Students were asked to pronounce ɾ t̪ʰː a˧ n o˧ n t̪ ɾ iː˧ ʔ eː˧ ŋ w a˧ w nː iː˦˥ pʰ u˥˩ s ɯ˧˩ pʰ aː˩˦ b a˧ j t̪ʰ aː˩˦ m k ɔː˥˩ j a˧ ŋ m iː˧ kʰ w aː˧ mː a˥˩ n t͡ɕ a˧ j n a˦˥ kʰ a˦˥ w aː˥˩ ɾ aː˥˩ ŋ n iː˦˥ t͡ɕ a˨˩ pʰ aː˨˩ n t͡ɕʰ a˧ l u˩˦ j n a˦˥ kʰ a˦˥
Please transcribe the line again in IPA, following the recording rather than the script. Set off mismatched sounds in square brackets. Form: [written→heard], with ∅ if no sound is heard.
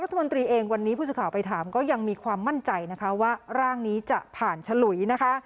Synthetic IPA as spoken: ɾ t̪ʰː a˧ [n→m] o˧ n t̪ ɾ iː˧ ʔ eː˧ ŋ w a˧ [w→∅] nː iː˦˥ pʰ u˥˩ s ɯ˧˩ [pʰ→kʰ] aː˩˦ [b→p] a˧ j t̪ʰ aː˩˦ m k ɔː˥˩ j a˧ ŋ m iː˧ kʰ w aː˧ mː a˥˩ n t͡ɕ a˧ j n a˦˥ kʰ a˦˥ w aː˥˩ ɾ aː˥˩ ŋ n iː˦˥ t͡ɕ a˨˩ pʰ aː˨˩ n t͡ɕʰ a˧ l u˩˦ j n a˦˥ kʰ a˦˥

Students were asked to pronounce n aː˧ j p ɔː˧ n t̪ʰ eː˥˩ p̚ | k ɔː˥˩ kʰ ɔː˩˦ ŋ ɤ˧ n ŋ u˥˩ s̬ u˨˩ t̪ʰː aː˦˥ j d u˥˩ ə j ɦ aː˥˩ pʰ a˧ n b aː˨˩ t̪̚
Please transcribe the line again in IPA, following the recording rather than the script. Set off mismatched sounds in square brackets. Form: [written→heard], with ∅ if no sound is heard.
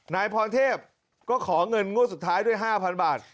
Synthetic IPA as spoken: n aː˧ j [p→pʰ] ɔː˧ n t̪ʰ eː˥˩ p̚ | k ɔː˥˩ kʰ ɔː˩˦ ŋ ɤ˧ n ŋ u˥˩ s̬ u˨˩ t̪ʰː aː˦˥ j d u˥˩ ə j ɦ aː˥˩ pʰ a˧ n b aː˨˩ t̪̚

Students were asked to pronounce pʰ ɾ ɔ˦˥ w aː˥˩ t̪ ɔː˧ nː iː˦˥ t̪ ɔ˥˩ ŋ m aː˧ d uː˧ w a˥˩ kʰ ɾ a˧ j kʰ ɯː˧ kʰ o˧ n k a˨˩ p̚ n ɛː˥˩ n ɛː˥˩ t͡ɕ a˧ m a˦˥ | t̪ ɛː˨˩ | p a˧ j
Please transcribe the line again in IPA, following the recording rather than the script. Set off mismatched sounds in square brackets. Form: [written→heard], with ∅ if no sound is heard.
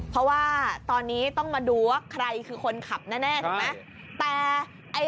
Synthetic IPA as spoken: pʰ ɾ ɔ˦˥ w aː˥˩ t̪ ɔː˧ nː iː˦˥ t̪ ɔ˥˩ ŋ m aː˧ d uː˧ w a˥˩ kʰ ɾ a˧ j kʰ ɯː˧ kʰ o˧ n [k→kʰ] a˨˩ p̚ n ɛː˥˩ n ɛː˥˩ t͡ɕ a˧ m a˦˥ | t̪ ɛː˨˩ | [p→ʔ] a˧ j

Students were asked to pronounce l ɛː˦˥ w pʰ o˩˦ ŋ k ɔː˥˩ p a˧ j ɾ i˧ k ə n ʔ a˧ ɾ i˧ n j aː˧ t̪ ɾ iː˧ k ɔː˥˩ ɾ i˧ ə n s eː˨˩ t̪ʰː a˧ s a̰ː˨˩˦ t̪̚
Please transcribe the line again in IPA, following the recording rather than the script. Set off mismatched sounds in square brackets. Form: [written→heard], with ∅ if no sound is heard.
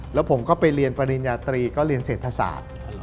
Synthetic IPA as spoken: l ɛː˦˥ w pʰ o˩˦ [ŋ→m] k ɔː˥˩ p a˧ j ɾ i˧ [k→∅] ə n [ʔ→p] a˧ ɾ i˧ n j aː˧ t̪ ɾ iː˧ k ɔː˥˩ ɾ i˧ ə n s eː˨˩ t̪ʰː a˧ s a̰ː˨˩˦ t̪̚

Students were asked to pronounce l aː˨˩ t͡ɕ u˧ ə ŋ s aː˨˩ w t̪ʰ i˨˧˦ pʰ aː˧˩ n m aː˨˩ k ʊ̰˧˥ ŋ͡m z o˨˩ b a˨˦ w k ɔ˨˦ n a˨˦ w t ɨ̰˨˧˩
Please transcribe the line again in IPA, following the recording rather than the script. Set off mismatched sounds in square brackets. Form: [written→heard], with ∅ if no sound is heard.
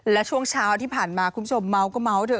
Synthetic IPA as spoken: l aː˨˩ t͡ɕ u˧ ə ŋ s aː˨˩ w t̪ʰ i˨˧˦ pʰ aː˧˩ n m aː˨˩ k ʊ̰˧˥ ŋ͡m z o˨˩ [b→m] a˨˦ w k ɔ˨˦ [n→m] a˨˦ w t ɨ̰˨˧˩

